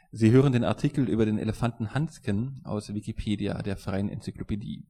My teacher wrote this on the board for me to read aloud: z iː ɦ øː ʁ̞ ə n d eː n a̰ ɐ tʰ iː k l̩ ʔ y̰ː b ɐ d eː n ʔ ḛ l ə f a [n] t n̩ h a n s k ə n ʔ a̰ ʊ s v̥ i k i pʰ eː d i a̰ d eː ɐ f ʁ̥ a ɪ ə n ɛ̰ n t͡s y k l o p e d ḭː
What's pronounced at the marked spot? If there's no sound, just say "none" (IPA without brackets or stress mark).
n